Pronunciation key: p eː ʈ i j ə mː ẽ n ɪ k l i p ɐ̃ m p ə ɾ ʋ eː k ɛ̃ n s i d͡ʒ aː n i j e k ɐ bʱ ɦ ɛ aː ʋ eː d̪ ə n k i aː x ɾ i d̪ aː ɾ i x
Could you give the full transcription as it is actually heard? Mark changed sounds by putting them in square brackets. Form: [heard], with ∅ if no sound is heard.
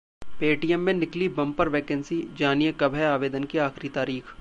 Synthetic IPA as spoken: p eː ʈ i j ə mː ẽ n ɪ k l i [b] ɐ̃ m p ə ɾ ʋ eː k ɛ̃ n s i d͡ʒ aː n i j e k ɐ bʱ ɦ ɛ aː ʋ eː d̪ ə n k i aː x ɾ i [t̪] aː ɾ [iː] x